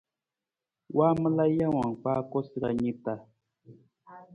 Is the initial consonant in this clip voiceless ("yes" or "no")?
no